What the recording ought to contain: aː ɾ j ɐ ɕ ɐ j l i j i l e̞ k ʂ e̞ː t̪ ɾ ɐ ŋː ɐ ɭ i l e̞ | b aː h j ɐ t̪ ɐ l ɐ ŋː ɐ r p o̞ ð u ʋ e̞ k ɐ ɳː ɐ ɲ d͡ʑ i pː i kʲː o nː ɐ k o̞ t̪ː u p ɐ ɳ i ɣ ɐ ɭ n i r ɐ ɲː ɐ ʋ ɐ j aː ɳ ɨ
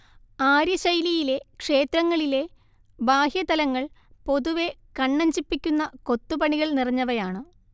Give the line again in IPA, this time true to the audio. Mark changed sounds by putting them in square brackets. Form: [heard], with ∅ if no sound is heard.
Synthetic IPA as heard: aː ɾ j ɐ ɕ ɐ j l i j i l e̞ k ʂ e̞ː t̪ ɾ ɐ ŋː ɐ ɭ i l e̞ | b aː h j ɐ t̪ ɐ l ɐ ŋː ɐ [ɭ] p o̞ ð u ʋ e̞ k ɐ ɳː ɐ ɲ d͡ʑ i pː i kʲː [u] nː ɐ k o̞ t̪ː u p ɐ ɳ i ɣ ɐ ɭ n i r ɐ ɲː ɐ ʋ ɐ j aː ɳ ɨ